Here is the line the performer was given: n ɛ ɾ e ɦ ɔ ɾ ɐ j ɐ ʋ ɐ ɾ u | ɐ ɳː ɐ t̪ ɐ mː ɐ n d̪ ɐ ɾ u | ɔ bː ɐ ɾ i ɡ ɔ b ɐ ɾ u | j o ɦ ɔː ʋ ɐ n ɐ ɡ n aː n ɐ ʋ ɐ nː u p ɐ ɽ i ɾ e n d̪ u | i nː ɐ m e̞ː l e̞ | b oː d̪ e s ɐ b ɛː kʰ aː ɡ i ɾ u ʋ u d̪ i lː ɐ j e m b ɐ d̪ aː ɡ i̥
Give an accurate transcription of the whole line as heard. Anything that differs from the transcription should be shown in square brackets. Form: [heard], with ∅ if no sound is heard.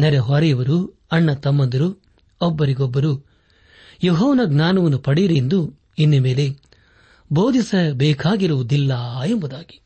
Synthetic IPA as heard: n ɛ ɾ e ɦ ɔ ɾ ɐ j ɐ ʋ ɐ ɾ u | ɐ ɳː ɐ t̪ ɐ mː ɐ n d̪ ɐ ɾ u | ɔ bː ɐ ɾ i ɡ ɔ [bː] ɐ ɾ u | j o ɦ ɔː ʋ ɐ n ɐ ɡ n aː n ɐ ʋ ɐ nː u p ɐ ɽ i ɾ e n d̪ u | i nː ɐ m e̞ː l e̞ | b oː d̪ [i] s ɐ b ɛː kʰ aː ɡ i ɾ u ʋ u d̪ i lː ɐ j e m b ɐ d̪ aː ɡ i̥